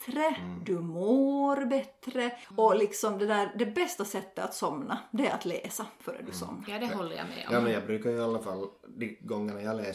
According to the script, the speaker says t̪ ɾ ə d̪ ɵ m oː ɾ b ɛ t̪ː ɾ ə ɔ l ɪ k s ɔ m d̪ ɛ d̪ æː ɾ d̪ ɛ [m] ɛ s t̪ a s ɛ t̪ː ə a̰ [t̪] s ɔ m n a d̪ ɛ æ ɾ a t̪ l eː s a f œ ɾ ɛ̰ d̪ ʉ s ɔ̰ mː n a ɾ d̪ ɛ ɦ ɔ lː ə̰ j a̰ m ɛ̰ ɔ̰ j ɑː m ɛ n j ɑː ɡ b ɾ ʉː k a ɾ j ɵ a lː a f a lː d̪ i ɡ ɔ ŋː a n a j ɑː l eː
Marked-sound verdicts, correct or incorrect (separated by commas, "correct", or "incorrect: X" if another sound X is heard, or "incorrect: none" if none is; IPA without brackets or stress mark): incorrect: b, correct